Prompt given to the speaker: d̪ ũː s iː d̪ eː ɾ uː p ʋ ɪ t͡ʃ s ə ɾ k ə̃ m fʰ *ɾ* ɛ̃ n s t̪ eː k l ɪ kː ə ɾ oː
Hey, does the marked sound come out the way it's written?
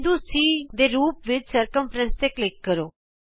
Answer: yes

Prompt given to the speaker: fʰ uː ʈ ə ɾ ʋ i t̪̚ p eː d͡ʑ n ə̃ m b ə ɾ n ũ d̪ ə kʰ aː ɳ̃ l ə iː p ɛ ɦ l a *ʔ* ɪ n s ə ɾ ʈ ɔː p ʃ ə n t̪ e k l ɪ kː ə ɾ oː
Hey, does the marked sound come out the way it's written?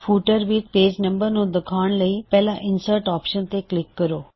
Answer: yes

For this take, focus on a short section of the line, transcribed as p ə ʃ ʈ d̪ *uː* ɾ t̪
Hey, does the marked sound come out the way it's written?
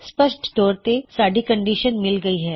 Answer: no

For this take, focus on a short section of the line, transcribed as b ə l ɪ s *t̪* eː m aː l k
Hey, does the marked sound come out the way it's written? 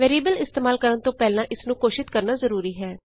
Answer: yes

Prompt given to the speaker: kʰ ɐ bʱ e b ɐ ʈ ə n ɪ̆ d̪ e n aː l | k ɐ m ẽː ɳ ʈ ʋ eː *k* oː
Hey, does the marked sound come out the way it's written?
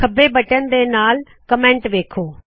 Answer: no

